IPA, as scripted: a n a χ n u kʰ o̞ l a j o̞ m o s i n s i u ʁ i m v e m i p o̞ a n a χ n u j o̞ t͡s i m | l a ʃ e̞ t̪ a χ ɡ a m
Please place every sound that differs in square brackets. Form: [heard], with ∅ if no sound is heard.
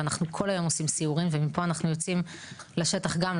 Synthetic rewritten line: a n a χ n u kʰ o̞ l a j o̞ m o s i [m] s i u ʁ i m v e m i p o̞ a n a χ n u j o̞ t͡s i m | l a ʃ e̞ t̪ a χ ɡ a m